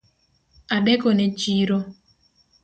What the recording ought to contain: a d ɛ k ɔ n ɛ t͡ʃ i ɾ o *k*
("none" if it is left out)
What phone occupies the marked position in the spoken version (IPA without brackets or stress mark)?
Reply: none